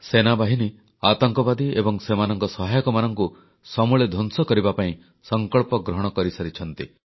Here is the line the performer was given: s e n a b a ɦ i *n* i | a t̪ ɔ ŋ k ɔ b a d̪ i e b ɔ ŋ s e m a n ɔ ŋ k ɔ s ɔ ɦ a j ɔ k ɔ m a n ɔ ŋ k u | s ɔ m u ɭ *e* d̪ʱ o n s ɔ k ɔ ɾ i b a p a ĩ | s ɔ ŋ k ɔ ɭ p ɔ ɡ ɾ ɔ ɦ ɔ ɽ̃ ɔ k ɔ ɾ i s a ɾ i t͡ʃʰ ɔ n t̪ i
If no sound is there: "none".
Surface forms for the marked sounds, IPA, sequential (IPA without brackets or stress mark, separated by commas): n, e